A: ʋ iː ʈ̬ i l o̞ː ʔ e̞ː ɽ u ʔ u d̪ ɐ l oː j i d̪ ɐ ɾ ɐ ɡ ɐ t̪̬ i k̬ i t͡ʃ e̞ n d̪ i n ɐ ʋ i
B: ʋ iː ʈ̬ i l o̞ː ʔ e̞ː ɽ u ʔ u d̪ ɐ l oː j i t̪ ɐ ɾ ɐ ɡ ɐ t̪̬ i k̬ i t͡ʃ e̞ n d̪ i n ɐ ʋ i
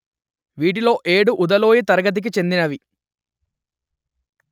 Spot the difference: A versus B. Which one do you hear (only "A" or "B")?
B